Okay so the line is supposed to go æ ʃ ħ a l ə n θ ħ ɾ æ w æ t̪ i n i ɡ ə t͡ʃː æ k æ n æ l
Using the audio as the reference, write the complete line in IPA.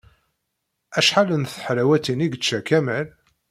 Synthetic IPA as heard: æ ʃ ħ a l ə n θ ħ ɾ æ w æ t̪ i n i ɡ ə t͡ʃː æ k æ m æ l